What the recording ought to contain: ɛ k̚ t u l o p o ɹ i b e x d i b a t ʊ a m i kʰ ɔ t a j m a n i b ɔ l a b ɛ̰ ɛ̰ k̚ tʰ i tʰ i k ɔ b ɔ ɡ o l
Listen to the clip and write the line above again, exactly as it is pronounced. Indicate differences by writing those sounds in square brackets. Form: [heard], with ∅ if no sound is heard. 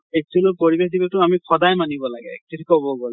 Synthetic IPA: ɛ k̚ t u l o p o ɹ i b e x d i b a t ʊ a m i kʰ ɔ [d] a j m a n i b ɔ l a [ɡ] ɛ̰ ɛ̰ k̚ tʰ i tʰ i k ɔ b ɔ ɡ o l